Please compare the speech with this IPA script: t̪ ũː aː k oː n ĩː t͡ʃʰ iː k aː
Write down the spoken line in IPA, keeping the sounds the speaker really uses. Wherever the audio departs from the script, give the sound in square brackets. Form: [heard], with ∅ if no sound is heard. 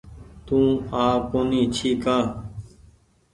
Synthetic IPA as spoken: t̪ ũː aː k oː n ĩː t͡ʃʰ iː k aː